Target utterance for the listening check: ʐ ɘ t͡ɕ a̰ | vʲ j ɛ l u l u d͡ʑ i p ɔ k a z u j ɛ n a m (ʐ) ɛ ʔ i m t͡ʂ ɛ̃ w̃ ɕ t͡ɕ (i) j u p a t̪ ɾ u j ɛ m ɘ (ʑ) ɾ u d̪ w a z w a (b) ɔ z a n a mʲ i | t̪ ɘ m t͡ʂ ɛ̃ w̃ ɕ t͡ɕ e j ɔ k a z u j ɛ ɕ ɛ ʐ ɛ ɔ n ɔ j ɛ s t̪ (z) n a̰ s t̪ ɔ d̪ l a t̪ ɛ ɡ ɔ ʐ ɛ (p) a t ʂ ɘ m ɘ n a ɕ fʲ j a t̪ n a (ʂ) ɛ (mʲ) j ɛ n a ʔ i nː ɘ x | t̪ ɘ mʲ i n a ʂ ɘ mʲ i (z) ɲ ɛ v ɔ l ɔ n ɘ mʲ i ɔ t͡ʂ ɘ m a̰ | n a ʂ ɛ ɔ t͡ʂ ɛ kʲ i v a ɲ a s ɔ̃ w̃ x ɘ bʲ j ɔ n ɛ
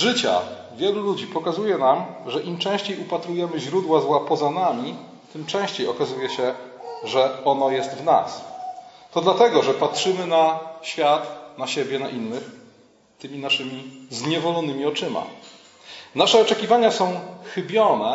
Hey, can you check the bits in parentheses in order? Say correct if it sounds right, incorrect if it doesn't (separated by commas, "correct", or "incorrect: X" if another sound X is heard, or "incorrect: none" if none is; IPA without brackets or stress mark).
correct, incorrect: e, correct, incorrect: p, incorrect: v, correct, incorrect: ɕ, incorrect: bʲ, correct